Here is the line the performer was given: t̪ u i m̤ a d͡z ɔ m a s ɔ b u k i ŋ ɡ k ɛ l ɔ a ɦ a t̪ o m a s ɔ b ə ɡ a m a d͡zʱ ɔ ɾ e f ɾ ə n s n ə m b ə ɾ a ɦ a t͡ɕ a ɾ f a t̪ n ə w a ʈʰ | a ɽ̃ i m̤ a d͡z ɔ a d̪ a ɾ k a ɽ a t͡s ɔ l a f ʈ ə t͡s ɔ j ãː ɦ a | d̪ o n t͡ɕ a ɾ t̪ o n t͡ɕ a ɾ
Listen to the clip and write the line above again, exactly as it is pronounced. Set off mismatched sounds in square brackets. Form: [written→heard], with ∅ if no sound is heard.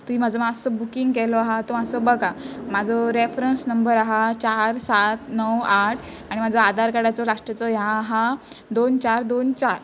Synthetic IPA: t̪ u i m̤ a d͡z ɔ m a s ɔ b u k i ŋ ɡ k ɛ l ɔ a ɦ a t̪ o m a s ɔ b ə ɡ a m a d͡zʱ ɔ ɾ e f ɾ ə n s n ə m b ə ɾ a ɦ a t͡ɕ a ɾ [f→s] a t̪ n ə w a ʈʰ | a ɽ̃ i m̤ a d͡z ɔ a d̪ a ɾ k a ɽ a t͡s ɔ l a [f→ʂ] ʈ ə t͡s ɔ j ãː ɦ a | d̪ o n t͡ɕ a ɾ [t̪→d̪] o n t͡ɕ a ɾ